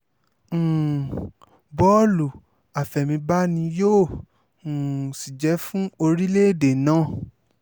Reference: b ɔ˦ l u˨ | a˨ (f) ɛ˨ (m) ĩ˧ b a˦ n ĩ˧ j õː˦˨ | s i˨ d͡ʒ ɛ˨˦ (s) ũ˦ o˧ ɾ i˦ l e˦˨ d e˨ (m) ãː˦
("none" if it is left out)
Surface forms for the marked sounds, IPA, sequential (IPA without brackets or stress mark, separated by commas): f, m, f, n